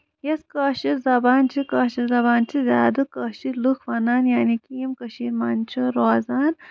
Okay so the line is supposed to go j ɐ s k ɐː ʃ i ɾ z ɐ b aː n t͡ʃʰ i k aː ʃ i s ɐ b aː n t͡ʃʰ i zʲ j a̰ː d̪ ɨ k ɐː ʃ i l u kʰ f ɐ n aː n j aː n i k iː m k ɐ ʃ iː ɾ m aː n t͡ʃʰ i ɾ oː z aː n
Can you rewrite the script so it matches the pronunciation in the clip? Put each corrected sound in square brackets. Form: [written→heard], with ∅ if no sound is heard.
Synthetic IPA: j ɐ s k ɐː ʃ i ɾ z ɐ b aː n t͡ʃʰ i k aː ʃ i [s→z] ɐ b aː n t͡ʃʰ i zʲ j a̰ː d̪ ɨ k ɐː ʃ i l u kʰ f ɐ n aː n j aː n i k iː m k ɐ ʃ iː ɾ m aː n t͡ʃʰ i ɾ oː z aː n